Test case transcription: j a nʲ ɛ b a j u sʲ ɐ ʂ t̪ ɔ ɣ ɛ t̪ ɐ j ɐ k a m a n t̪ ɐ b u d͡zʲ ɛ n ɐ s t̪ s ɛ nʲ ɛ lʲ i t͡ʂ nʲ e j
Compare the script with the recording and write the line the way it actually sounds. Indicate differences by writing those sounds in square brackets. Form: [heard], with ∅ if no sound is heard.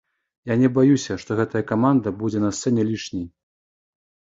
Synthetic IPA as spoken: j a nʲ ɛ b a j u sʲ ɐ ʂ t̪ ɔ ɣ ɛ t̪ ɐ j ɐ k a m a n [d̪] ɐ b u d͡zʲ ɛ n ɐ s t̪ s ɛ nʲ ɛ lʲ i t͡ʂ nʲ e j